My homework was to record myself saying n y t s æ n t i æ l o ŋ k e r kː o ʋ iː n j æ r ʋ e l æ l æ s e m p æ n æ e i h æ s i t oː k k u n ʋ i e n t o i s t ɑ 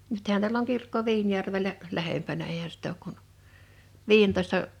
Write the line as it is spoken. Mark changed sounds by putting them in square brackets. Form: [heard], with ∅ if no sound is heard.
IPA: n y t [h] æ n t i æ l o ŋ k [i] r kː o ʋ iː n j æ r ʋ e l æ l æ [h] e m p æ n æ e i h æ s i t oː k k u n ʋ [iː] e n t o i s t ɑ